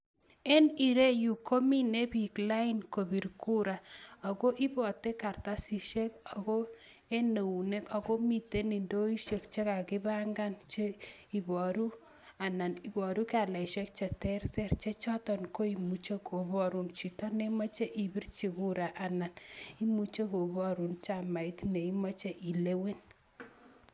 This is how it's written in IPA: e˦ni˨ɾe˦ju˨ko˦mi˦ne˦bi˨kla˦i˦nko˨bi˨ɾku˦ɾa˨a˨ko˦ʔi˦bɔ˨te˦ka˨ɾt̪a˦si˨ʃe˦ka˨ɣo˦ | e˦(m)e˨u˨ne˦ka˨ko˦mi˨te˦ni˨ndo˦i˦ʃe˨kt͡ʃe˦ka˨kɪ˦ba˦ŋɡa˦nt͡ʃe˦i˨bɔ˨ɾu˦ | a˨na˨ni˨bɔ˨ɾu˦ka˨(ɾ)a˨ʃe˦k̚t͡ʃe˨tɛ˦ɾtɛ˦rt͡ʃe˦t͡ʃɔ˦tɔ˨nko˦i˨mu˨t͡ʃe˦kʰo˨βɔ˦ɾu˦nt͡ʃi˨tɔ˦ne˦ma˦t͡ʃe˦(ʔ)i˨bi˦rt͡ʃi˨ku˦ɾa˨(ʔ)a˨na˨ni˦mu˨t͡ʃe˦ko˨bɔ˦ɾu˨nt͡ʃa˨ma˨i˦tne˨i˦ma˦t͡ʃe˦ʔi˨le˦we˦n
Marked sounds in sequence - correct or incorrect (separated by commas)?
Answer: incorrect, incorrect, correct, correct